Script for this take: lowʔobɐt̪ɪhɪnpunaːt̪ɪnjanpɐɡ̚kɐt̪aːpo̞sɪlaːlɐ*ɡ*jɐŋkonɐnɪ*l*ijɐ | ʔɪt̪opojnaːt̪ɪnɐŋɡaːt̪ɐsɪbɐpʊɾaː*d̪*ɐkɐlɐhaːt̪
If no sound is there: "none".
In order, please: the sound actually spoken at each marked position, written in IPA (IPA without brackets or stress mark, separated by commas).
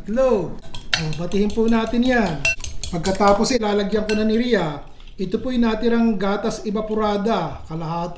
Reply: ɡ, ɾ, d̪